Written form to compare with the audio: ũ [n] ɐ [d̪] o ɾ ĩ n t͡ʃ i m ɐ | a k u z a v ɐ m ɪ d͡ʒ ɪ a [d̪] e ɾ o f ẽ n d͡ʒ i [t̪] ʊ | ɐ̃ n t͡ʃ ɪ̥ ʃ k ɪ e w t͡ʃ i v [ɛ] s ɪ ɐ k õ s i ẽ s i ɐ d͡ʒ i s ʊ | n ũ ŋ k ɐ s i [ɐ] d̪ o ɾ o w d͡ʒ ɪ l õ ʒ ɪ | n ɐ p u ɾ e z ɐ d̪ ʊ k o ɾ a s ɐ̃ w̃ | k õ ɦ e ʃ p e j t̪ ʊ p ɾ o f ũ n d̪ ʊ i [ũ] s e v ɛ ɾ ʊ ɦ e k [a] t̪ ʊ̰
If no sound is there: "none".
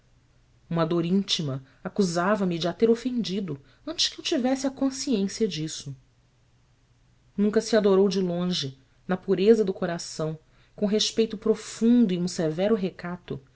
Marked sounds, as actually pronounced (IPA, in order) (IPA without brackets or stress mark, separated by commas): m, d̪, t̪, d̪, ɛ, a, ũ, a